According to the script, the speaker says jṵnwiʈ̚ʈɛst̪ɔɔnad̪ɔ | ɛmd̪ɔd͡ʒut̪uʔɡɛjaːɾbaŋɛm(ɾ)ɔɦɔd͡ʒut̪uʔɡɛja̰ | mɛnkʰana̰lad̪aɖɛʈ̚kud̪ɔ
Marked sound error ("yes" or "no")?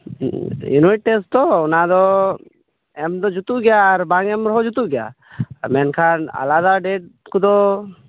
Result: no